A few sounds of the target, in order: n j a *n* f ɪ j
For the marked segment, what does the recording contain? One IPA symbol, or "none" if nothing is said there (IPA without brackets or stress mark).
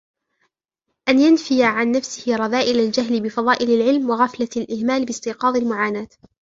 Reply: n